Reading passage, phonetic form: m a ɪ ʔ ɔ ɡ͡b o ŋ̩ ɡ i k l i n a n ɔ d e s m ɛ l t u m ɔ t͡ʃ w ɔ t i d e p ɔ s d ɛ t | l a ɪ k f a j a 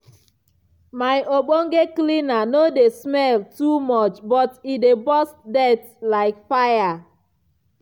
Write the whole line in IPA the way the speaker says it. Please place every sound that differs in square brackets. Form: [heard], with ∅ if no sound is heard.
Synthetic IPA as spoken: m a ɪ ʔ [o] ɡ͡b o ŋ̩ ɡ [e] k l i n a n [o] d e s m ɛ l t u m ɔ t͡ʃ [b] ɔ t i d e [b] ɔ s d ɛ t | l a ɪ k f a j a